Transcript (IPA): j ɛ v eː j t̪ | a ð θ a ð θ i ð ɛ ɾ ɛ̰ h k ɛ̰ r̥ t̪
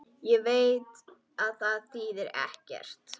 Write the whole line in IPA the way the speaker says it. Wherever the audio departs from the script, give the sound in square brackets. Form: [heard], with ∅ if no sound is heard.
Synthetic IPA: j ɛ v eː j t̪ | a ð θ a ð θ i ð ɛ ɾ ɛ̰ h [c] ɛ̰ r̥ t̪

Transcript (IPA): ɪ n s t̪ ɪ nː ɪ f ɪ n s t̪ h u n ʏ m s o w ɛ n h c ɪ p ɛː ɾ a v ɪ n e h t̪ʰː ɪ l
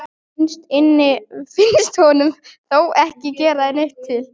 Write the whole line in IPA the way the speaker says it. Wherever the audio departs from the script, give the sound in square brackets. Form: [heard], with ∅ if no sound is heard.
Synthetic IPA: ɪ n s t̪ ɪ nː ɪ f ɪ n s t̪ h [ɔ] n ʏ m [θ] o w ɛ [∅] h c ɪ [c] ɛː ɾ a [ð] ɪ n e h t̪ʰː ɪ l

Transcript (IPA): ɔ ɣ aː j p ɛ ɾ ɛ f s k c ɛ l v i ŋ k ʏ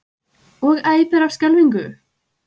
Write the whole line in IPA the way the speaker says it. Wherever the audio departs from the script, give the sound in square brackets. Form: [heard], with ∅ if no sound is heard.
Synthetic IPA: ɔ ɣ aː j p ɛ ɾ [a] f s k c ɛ l v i ŋ k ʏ

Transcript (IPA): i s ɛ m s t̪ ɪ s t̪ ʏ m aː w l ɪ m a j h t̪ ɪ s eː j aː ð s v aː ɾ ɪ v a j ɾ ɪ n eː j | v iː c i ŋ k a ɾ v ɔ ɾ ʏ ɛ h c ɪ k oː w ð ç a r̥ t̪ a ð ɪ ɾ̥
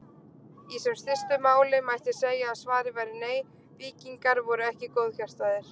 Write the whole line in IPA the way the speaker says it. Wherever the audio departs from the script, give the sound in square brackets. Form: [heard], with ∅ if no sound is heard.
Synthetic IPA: i s ɛ m s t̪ ɪ s t̪ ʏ m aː w l ɪ m a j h t̪ ɪ s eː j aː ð s v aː ɾ ɪ v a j ɾ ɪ n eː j | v iː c i ŋ k a ɾ v ɔ ɾ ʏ ɛ h c ɪ k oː w ð ç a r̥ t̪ a ð ɪ ɾ̥

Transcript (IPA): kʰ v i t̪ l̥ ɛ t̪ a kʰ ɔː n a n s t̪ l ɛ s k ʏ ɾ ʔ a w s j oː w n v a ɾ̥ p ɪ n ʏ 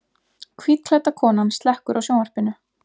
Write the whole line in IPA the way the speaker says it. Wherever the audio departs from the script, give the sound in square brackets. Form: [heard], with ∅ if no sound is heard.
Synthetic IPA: kʰ v i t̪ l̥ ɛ t̪ a kʰ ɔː n a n s t̪ l ɛ [h] k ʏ ɾ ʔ a w s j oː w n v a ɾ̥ p ɪ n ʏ

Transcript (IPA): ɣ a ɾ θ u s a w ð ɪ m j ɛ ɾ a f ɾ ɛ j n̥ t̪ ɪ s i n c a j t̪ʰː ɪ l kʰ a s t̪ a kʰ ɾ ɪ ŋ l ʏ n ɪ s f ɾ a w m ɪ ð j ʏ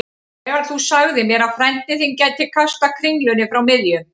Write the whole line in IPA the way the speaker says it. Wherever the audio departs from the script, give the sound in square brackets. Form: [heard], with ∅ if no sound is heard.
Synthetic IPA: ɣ a ɾ θ u s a [ɣ] ð ɪ m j ɛ ɾ a f ɾ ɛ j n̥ t̪ ɪ [θ] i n c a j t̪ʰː ɪ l kʰ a s t̪ a kʰ ɾ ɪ ŋ l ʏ n ɪ [∅] f ɾ a w m ɪ ð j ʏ

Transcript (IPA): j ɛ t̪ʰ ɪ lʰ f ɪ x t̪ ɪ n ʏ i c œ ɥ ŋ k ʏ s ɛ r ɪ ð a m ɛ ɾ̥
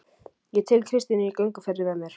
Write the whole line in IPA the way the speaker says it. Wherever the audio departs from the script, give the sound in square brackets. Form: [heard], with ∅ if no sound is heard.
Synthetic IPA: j ɛ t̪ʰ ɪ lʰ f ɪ [s] t̪ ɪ n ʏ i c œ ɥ ŋ k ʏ [f] ɛ r ɪ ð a m ɛ ɾ̥

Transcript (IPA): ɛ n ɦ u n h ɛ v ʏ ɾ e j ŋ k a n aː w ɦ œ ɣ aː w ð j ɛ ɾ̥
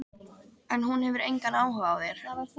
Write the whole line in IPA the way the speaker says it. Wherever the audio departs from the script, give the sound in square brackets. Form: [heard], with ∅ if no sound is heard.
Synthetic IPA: ɛ n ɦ u n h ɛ v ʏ ɾ e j ŋ k a n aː w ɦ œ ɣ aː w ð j ɛ ɾ̥

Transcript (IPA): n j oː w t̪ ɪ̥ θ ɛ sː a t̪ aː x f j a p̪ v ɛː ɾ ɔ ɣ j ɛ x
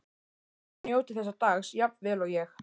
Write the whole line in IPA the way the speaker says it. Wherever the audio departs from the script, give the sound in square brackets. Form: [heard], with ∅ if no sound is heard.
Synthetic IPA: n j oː w t̪ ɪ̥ θ ɛ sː a t̪ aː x [s] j a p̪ v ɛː [l] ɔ ɣ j ɛ x

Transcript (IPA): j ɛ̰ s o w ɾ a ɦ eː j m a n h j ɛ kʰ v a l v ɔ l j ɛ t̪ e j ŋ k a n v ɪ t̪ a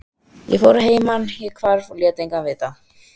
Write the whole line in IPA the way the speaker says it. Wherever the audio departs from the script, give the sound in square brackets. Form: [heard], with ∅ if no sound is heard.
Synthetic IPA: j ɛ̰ [f] o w ɾ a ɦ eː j m a n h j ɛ kʰ v a [ɾ] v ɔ l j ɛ t̪ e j ŋ k a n v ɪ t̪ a

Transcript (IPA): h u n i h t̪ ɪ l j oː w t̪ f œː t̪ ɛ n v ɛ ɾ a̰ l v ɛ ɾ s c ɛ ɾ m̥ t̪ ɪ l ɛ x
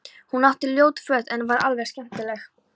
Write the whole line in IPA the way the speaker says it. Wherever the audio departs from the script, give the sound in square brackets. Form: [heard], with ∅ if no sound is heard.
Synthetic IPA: h u n [a] h t̪ ɪ l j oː w t̪ f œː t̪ ɛ n v [a] ɾ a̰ l v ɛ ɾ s c ɛ [∅] m̥ t̪ ɪ l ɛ x

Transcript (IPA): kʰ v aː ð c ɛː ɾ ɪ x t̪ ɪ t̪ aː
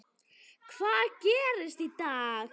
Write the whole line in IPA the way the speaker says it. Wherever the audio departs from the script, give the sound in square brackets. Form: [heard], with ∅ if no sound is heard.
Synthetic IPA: kʰ v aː ð c ɛː ɾ ɪ [s] t̪ [i] t̪ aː

